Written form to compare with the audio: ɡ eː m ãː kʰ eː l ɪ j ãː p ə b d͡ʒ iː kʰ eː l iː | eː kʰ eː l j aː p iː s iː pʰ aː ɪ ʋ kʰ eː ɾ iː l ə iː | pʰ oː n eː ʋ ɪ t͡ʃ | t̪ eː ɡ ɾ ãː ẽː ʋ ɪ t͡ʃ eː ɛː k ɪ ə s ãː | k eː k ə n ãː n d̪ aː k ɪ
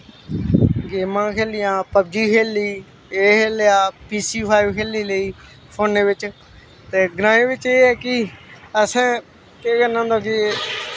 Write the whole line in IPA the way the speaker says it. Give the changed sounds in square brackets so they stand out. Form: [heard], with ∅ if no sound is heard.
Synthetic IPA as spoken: ɡ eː m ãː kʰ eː l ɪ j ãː p ə b d͡ʒ iː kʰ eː l iː | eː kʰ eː l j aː p iː s iː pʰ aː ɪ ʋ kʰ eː [l] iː l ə iː | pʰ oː n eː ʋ ɪ t͡ʃ | t̪ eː ɡ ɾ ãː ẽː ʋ ɪ t͡ʃ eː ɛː k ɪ ə s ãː | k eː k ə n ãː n d̪ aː k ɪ